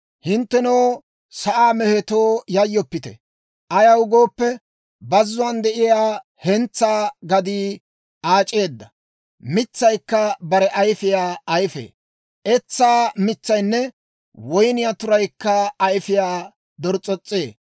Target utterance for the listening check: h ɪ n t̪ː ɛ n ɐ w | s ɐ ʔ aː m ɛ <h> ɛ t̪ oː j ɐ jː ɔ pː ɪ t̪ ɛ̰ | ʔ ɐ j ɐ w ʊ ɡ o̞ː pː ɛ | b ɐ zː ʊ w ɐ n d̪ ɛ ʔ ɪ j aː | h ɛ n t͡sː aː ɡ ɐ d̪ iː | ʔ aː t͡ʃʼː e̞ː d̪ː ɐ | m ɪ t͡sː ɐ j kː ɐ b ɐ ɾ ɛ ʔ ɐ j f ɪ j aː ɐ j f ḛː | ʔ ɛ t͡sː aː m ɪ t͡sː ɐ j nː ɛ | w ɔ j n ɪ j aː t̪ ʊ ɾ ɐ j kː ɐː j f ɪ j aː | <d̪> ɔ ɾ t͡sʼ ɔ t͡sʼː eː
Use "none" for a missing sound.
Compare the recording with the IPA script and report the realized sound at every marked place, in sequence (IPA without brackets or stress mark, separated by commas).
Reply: h, d̪